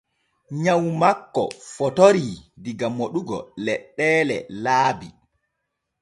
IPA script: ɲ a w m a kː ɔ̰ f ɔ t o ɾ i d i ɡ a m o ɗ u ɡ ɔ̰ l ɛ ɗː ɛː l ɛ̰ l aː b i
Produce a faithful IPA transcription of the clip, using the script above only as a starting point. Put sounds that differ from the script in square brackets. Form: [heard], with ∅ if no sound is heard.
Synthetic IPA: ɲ a w m a kː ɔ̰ f ɔ t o ɾ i d i ɡ a m o ɗ u ɡ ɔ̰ l ɛ ɗː ɛː l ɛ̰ l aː b i